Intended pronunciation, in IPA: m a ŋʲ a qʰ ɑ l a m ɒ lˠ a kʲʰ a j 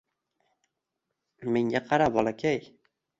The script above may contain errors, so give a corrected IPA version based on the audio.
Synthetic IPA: m e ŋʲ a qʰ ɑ ɾ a b ɒ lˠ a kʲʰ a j